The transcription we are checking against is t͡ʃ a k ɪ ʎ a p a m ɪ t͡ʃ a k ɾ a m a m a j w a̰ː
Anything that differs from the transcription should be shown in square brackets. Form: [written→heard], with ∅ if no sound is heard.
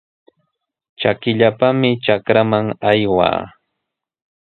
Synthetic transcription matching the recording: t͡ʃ a k ɪ ʎ a p a m ɪ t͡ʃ a k ɾ a m a [m→ŋ] a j w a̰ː